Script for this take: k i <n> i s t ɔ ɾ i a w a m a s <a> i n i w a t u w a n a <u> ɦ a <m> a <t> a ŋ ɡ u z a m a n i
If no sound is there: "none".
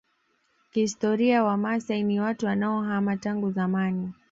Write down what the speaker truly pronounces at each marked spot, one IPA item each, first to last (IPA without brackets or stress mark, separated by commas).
none, a, ɔ, m, t